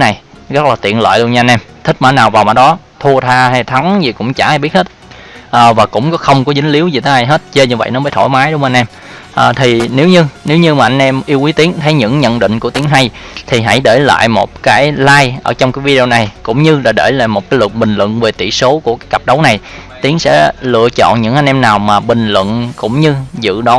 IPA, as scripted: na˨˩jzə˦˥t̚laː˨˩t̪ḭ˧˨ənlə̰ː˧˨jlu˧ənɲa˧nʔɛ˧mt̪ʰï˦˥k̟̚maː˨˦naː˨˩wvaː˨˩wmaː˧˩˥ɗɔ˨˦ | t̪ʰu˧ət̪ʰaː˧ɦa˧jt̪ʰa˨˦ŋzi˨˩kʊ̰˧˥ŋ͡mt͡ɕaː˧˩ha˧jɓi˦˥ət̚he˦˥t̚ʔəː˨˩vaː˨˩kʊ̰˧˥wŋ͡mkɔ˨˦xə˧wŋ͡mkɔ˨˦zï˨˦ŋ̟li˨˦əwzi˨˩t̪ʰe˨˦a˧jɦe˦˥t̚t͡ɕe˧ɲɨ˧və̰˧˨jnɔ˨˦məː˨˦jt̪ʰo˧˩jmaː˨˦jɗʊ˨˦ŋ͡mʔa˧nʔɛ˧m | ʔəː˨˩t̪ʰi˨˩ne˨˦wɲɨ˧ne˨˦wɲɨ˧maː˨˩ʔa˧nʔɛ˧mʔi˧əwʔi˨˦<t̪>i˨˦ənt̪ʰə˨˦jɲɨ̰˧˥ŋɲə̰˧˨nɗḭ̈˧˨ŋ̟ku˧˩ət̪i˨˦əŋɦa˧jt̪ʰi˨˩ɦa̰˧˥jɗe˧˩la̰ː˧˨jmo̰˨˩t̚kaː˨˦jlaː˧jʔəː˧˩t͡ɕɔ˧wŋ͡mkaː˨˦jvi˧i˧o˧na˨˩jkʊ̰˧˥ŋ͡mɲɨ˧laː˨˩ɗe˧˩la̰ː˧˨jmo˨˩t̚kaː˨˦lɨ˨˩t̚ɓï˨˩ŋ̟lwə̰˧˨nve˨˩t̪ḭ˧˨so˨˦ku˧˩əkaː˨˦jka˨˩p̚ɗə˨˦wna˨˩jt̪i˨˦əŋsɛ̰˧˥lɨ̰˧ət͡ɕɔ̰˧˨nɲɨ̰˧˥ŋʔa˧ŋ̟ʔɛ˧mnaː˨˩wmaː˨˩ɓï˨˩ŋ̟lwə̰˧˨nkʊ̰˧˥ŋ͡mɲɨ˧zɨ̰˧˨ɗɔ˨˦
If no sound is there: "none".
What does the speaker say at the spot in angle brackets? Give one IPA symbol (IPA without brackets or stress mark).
t̪